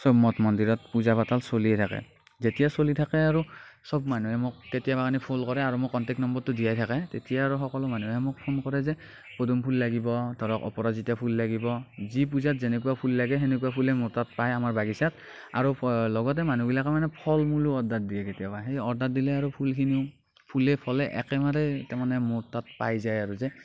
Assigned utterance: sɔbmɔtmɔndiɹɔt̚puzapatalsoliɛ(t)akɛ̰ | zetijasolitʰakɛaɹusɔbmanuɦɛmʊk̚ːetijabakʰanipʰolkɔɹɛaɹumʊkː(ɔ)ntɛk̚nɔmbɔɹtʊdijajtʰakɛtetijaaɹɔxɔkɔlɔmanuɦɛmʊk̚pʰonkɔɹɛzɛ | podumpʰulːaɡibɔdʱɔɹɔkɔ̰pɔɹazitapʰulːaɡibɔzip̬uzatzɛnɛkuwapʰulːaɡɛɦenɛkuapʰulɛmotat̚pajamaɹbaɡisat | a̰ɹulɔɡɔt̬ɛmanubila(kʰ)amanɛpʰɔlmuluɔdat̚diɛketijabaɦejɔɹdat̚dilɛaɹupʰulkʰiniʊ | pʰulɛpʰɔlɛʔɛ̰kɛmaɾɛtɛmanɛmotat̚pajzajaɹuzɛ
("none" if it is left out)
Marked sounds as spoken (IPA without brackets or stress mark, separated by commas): tʰ, ɔ, k